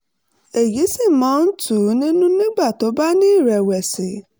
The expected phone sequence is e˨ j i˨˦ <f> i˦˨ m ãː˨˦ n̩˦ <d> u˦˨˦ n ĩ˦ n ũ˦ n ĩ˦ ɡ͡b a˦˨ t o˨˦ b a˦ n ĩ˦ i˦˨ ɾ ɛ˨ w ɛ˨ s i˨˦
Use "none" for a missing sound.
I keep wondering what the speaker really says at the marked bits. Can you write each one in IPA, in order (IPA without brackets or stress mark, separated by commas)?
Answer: s, t